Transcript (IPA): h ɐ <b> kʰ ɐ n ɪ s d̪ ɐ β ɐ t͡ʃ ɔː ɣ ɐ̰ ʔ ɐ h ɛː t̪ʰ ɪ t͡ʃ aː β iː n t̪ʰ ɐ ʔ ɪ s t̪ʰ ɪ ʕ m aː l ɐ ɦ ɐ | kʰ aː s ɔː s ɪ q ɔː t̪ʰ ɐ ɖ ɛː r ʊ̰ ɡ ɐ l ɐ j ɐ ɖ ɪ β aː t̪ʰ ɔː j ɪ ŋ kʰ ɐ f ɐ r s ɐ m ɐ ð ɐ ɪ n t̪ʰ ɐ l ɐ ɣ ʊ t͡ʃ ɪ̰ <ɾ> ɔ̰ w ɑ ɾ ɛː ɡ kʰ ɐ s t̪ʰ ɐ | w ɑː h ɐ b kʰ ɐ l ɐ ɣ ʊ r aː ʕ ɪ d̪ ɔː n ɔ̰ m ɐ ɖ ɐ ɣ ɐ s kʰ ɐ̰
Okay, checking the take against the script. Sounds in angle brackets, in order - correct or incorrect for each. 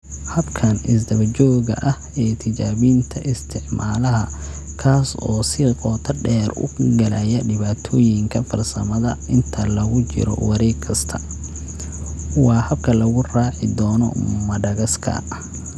correct, correct

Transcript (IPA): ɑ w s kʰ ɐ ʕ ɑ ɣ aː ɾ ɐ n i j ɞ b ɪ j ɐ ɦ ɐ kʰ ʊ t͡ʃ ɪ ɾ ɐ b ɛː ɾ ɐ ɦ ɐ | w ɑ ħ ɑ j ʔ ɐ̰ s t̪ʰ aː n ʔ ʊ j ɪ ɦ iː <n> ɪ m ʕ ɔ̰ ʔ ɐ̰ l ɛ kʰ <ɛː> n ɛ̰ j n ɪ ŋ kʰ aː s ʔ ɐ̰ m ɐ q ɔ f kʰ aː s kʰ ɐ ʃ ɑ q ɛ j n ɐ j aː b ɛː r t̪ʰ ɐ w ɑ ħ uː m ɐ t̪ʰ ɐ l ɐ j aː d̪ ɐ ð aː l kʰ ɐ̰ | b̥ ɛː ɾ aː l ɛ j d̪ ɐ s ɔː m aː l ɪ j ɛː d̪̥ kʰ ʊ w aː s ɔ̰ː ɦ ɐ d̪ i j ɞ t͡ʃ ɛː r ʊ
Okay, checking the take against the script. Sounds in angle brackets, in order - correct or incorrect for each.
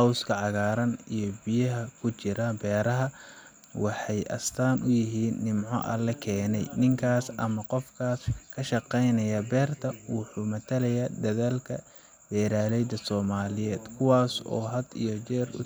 incorrect: nː, correct

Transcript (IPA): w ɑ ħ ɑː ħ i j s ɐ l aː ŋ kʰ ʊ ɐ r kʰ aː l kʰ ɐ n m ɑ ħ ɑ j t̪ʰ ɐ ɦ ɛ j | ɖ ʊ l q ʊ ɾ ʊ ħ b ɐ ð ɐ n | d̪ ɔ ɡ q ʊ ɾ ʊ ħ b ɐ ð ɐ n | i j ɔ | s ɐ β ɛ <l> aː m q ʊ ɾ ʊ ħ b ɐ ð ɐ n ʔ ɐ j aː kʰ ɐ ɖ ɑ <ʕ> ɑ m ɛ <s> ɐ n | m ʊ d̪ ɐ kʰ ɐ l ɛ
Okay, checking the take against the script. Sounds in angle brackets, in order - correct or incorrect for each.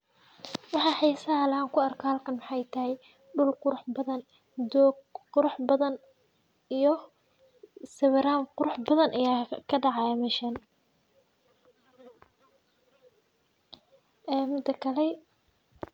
incorrect: ɾ, correct, incorrect: ʃ

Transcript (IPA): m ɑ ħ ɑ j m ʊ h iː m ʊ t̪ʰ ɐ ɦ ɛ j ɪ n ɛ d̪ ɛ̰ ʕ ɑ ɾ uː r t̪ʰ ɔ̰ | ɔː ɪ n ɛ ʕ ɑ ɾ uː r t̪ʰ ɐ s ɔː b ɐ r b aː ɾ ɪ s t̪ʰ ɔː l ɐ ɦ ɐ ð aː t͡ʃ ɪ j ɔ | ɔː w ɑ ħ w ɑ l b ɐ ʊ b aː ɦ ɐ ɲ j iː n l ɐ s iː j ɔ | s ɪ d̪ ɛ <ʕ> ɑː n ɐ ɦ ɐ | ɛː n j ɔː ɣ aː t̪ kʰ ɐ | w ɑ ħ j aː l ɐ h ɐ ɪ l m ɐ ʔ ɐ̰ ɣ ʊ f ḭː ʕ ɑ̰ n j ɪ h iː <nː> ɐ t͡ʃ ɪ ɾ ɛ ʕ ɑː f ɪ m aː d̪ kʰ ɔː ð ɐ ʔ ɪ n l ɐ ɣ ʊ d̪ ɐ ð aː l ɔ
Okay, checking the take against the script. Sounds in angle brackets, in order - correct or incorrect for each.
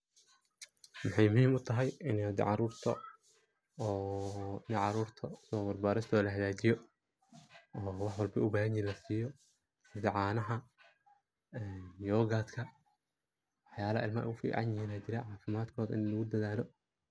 correct, incorrect: n

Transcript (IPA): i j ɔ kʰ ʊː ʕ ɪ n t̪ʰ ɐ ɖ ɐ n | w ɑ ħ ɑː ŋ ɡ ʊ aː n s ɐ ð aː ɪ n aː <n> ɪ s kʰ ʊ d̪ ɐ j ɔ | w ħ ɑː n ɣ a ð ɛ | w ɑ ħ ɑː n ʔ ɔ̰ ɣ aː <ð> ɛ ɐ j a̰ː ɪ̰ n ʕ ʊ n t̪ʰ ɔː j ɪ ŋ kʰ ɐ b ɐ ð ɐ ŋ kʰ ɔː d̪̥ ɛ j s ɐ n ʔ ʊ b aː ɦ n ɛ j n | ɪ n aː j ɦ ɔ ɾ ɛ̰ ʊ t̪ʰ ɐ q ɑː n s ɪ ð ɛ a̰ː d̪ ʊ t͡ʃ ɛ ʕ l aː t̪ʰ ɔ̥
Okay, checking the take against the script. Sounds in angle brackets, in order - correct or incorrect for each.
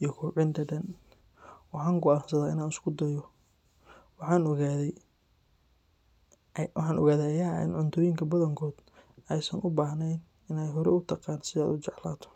correct, correct

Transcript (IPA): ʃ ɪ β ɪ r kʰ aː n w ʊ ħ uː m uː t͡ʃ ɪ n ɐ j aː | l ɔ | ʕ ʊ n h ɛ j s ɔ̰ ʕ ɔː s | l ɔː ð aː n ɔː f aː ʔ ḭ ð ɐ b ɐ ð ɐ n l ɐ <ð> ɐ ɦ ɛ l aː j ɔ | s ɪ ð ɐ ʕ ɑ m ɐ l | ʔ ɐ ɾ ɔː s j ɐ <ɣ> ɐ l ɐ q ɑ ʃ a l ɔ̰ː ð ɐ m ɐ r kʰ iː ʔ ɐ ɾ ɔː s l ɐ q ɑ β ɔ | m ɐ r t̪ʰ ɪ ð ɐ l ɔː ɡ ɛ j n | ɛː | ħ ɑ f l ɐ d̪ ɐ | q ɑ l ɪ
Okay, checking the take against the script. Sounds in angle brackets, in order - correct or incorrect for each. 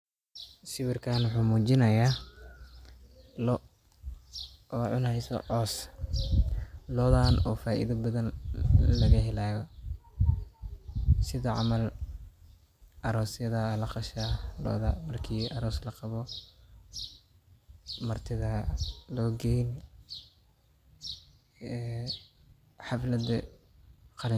incorrect: ɣ, incorrect: ð

